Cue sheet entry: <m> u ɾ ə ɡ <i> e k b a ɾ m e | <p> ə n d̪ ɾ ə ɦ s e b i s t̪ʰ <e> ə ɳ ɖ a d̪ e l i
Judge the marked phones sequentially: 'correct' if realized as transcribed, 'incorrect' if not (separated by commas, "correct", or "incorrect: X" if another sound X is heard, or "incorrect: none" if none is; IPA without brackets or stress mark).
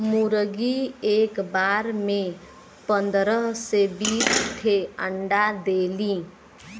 correct, correct, correct, correct